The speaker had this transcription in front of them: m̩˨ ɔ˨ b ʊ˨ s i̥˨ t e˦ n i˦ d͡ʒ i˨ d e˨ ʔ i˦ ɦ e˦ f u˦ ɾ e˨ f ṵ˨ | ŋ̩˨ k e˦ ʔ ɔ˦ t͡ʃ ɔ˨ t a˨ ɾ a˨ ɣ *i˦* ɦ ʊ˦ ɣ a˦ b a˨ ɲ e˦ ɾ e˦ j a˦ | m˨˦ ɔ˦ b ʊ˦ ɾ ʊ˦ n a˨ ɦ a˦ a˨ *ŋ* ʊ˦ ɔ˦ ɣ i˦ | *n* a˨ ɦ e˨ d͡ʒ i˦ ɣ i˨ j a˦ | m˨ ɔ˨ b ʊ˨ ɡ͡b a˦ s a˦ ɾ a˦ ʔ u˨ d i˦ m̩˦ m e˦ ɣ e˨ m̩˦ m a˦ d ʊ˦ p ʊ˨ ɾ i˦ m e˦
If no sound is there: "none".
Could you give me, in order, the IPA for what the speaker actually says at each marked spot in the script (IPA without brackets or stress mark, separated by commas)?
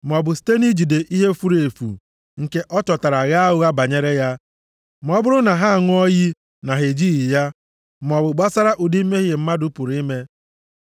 a˦, ŋ, n